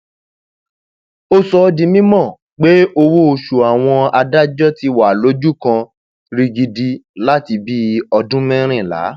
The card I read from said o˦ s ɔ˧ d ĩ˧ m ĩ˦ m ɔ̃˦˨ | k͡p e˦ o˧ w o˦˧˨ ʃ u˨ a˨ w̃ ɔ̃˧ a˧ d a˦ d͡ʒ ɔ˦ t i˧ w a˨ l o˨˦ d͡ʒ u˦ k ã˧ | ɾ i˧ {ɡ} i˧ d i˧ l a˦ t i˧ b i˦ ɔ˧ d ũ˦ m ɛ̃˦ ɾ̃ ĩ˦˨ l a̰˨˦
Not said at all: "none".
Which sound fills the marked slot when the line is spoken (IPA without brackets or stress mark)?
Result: ɡ